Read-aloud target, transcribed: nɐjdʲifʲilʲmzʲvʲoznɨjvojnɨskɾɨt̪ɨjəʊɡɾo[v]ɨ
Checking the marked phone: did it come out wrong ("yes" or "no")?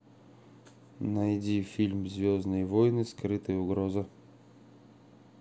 yes